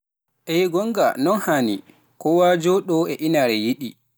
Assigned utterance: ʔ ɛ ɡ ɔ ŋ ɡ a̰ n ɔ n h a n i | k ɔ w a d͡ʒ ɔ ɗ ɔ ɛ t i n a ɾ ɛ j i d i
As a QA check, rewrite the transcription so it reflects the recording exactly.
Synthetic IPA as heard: ʔ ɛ ɡ ɔ ŋ ɡ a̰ n ɔ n h a n i | k ɔ w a d͡ʒ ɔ ɗ ɔ ɛ ʔ i n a ɾ ɛ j i ɗ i